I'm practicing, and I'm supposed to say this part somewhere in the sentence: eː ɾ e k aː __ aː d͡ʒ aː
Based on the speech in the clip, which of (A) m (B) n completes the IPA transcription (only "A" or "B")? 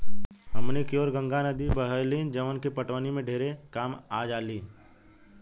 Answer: A